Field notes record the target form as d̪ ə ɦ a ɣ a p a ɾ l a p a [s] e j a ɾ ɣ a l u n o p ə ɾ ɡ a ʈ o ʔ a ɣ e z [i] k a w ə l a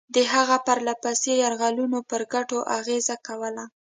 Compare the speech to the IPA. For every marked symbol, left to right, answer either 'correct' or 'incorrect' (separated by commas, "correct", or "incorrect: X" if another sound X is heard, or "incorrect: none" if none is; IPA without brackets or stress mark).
correct, incorrect: a